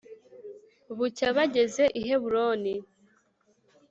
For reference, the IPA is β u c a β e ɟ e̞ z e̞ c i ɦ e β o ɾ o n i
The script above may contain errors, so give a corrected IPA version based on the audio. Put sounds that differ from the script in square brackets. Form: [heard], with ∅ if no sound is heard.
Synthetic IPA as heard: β u c a β [a] ɟ e̞ z e̞ [ʔ] i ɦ e β [u] ɾ o n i